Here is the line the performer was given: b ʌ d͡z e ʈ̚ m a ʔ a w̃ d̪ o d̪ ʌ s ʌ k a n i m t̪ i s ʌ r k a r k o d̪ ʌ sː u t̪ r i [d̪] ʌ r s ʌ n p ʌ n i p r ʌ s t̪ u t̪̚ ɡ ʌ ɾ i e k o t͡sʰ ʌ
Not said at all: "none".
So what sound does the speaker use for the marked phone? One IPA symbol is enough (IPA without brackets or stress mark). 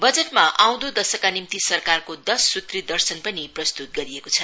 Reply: d̪